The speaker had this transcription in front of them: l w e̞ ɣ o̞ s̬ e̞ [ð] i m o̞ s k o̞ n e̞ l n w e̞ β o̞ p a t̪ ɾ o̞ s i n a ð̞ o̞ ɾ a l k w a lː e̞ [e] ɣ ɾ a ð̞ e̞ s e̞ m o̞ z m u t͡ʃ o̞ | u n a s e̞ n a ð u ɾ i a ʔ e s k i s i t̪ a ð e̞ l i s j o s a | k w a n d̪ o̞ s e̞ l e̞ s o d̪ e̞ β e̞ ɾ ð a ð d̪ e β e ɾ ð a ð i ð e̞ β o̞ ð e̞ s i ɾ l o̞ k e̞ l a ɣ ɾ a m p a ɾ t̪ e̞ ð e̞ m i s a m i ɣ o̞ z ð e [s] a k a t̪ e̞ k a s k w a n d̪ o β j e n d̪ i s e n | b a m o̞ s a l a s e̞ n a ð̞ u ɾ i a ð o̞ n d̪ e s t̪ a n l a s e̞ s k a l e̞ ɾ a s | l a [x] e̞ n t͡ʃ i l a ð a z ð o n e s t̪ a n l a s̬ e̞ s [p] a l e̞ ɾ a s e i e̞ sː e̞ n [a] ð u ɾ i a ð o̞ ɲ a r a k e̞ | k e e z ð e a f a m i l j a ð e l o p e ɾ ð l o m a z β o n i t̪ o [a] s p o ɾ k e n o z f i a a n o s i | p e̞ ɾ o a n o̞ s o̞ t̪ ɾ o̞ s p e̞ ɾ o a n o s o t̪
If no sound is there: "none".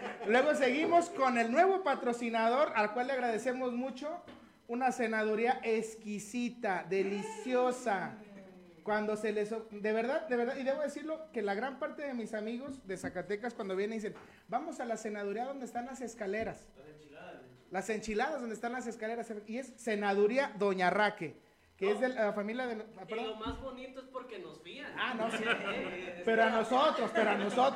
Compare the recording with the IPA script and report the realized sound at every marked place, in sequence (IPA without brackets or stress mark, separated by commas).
ɣ, a, s, s, k, a, e